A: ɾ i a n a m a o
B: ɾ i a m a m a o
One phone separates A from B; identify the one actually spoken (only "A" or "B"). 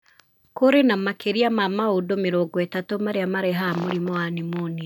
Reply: B